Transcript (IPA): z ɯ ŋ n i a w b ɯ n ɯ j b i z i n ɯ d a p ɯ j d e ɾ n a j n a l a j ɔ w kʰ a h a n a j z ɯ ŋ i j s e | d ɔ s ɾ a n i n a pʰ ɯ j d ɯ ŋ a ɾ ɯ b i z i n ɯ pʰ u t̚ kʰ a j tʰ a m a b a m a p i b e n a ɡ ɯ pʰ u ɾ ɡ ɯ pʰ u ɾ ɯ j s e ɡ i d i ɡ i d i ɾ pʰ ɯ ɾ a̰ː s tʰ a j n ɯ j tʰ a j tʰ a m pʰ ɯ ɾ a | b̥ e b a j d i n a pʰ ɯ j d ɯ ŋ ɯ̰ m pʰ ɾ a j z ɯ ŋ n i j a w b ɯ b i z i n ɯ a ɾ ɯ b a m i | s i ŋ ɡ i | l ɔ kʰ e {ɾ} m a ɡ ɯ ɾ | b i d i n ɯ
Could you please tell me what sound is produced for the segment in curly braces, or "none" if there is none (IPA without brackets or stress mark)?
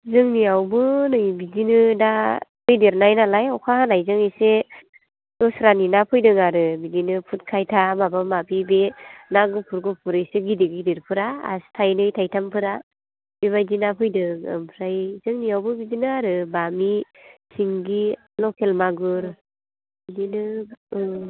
l